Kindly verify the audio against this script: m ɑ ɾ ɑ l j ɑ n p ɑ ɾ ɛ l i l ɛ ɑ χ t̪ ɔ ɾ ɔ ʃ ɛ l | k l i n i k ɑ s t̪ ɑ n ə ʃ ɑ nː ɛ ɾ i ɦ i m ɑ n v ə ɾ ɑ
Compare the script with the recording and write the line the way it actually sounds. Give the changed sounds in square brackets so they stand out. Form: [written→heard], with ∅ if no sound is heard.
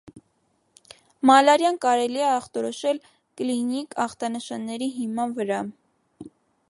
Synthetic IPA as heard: m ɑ [ɾ→l] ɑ [l→ɾ] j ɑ n [p→k] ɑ ɾ ɛ l i [l→∅] ɛ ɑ χ t̪ ɔ ɾ ɔ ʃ ɛ l | k l i n i k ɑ [s→χ] t̪ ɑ n ə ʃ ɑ nː ɛ ɾ i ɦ i m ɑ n v ə ɾ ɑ